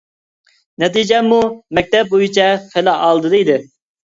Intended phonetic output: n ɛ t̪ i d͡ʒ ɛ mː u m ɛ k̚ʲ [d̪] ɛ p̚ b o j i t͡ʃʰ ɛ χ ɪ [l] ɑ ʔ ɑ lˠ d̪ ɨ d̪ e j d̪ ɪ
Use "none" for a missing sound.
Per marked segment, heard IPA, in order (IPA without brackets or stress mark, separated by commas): t̪, l